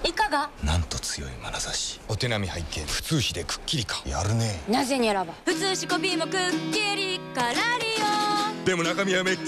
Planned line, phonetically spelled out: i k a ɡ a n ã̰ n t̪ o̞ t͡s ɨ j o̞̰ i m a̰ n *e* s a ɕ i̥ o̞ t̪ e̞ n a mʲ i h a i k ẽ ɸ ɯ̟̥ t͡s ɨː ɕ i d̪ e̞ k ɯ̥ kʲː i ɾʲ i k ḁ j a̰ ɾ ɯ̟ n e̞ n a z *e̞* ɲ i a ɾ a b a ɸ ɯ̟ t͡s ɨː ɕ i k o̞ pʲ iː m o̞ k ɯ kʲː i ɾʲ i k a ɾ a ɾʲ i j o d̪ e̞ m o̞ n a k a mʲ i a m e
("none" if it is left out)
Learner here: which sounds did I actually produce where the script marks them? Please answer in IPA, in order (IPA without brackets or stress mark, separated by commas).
a, e̞